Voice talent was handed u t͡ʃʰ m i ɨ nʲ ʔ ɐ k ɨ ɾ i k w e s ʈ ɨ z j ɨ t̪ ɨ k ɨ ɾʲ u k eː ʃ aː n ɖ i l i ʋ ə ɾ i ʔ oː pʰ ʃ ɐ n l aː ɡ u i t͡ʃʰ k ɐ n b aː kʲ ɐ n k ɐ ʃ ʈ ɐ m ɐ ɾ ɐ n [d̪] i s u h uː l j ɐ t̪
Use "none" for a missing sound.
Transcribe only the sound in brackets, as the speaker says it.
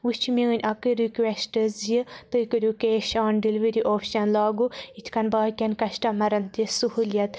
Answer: t̪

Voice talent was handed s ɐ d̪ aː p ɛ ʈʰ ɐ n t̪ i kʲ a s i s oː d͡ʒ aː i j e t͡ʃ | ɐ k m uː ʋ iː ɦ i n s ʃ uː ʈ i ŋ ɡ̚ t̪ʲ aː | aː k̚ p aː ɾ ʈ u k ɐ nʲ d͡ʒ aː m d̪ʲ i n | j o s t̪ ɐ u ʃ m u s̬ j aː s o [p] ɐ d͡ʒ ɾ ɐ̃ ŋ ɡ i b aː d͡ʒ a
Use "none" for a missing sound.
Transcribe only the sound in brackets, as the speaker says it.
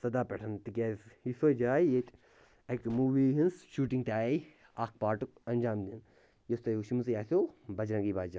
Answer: b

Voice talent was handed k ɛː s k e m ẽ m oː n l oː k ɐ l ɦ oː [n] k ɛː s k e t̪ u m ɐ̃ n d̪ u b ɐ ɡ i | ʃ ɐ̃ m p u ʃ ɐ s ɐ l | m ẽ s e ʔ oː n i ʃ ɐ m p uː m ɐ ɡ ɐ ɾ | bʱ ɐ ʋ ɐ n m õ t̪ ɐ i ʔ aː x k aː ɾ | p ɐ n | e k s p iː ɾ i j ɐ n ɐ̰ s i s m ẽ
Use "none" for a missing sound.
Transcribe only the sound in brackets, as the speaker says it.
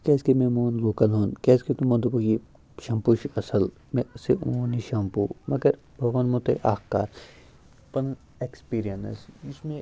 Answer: n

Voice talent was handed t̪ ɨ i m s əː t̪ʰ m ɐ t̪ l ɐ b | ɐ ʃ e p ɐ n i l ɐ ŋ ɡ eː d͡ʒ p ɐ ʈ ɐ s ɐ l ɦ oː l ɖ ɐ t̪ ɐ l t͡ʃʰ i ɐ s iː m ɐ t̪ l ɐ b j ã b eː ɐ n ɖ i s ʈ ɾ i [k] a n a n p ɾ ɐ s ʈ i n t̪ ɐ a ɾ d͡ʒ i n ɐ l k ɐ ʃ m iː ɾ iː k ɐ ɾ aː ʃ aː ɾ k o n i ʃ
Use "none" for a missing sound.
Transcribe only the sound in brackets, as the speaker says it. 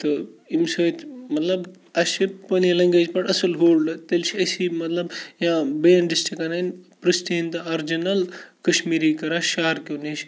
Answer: k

